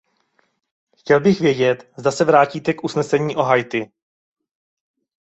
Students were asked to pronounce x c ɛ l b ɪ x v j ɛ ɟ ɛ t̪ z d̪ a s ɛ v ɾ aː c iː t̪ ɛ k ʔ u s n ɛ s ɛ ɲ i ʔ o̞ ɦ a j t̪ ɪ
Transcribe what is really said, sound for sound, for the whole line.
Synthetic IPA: x c ɛ l b ɪ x v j ɛ ɟ ɛ t̪ z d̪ a s ɛ v ɾ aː c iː t̪ ɛ k ʔ u s n ɛ s ɛ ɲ iː ʔ o̞ ɦ a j t̪ ɪ